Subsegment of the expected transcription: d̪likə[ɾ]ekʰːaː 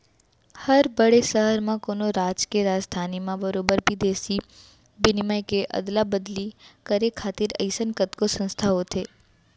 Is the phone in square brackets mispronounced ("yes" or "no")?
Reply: no